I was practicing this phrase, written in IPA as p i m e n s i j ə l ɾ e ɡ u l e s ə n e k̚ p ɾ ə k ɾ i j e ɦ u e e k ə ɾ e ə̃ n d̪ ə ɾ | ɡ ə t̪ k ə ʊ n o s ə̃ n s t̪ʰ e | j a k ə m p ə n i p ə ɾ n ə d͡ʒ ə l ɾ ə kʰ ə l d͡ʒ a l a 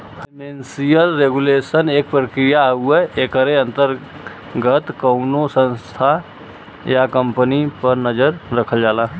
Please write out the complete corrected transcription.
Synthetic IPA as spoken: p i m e n s i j ə l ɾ e ɡ u l e s ə n e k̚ p ɾ ə k ɾ i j a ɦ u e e k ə ɾ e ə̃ n t̪ ə ɾ | ɡ ə t̪ k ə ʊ n o s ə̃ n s t̪ʰ a | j a k ə m p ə n i p ə ɾ n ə d͡ʒ ə ɾ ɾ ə kʰ ə l d͡ʒ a l a